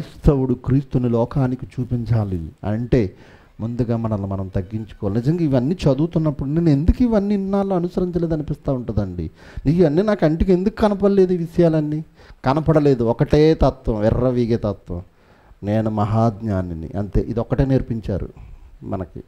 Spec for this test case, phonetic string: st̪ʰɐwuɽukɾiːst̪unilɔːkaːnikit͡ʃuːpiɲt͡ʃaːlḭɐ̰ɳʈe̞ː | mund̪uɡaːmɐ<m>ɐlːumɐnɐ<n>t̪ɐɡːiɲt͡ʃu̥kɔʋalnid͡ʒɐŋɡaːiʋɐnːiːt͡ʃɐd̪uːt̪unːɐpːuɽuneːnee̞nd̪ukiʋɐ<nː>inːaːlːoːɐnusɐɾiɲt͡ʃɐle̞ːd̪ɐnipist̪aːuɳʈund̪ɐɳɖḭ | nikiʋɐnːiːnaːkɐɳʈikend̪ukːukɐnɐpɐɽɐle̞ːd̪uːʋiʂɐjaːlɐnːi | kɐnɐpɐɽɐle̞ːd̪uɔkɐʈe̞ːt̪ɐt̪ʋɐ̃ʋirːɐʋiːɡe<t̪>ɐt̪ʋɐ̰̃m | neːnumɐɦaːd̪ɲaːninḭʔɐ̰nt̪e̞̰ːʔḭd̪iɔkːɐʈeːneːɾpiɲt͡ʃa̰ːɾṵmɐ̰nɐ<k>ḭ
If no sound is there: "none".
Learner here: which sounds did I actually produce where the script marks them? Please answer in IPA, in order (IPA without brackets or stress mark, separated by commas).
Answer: n, m, nː, t̪, k